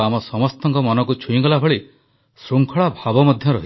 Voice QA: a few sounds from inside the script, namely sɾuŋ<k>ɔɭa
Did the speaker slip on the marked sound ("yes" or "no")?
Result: yes